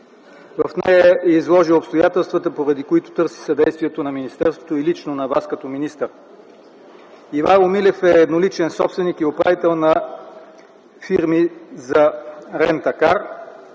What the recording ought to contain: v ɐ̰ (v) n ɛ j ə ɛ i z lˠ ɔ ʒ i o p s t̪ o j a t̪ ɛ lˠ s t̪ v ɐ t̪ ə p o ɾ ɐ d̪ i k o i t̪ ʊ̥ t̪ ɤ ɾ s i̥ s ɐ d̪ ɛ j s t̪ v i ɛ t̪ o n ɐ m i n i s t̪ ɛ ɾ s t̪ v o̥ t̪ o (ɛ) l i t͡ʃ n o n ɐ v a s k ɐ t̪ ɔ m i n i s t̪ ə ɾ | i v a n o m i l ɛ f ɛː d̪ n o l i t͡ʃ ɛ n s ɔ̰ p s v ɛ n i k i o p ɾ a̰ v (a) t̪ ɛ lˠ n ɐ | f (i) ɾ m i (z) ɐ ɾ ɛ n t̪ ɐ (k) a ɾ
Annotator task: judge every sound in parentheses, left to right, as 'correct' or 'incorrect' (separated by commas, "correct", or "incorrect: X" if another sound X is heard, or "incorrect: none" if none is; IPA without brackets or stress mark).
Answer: incorrect: f, incorrect: i, incorrect: i, correct, correct, correct